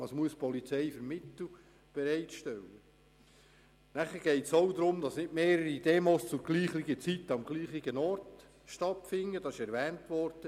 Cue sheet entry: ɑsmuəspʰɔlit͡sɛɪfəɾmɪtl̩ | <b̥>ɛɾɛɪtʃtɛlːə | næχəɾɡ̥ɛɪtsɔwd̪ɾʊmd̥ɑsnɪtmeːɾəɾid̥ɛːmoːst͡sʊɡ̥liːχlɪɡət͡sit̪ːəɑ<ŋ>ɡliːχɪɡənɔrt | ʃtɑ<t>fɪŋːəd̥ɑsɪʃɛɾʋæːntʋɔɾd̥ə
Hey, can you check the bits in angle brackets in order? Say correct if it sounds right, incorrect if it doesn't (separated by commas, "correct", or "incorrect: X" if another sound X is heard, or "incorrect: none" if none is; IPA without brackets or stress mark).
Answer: correct, incorrect: m, correct